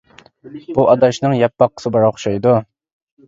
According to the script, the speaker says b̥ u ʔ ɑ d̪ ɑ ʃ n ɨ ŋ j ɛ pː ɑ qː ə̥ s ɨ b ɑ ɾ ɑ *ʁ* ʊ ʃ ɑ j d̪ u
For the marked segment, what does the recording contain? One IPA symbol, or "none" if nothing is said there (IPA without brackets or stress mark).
χ